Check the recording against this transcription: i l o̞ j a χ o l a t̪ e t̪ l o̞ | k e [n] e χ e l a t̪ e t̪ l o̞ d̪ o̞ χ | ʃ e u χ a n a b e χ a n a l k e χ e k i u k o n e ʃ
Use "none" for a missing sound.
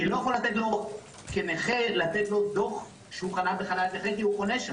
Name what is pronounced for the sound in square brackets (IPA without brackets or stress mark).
n